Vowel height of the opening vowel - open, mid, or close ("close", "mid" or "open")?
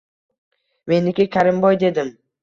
mid